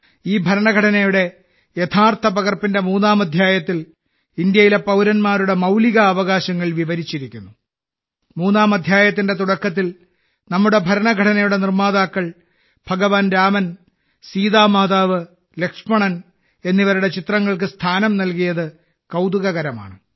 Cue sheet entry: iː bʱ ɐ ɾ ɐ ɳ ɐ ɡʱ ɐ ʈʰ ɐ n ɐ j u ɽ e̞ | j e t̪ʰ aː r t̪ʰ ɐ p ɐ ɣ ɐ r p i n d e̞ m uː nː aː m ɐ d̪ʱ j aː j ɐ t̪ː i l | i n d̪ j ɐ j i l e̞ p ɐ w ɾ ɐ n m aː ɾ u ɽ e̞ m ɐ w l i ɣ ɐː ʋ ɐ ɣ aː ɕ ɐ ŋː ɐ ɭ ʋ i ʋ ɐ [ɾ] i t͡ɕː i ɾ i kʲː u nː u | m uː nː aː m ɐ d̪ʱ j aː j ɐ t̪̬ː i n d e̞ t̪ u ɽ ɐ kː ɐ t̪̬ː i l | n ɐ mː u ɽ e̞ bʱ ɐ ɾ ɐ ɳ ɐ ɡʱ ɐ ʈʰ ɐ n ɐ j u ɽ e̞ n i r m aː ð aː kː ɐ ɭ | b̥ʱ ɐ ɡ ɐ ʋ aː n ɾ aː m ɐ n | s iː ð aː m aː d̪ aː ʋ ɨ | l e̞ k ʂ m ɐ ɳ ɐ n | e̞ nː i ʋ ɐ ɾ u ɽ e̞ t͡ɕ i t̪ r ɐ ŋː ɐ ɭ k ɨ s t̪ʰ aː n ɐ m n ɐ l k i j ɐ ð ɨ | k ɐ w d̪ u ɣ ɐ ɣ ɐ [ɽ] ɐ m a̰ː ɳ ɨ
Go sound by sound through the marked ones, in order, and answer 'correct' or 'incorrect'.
correct, incorrect: ɾ

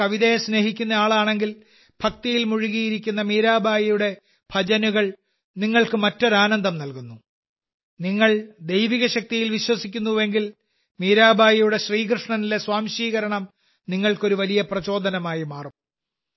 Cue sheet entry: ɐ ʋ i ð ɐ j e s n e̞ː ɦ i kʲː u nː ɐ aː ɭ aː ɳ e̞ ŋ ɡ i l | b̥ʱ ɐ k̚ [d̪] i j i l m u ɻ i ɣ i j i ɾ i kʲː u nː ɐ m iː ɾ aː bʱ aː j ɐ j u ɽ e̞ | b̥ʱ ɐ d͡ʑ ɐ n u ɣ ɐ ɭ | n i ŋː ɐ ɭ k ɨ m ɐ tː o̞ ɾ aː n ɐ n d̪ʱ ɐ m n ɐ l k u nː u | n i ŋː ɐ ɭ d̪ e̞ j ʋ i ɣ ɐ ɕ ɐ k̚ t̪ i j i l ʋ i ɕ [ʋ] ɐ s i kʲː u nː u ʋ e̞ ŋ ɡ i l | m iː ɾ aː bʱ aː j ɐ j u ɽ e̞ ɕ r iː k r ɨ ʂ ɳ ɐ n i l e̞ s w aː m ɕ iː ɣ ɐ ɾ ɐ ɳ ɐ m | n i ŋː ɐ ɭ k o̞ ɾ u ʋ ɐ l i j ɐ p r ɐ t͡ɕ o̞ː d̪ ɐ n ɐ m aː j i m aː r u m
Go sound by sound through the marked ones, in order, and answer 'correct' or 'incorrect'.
incorrect: t̪, incorrect: w

